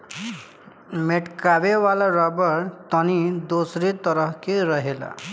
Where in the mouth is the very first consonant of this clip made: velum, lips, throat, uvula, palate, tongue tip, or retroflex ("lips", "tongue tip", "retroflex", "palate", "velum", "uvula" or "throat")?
lips